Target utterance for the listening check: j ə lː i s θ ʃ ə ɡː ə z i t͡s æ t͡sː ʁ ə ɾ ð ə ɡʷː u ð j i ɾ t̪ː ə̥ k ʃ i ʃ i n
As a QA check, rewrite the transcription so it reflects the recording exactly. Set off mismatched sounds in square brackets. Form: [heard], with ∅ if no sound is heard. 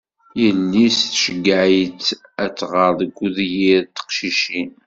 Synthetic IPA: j ə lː i s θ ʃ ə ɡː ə [ʕ] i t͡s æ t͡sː ʁ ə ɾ ð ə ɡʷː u ð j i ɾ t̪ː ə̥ [q] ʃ i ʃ i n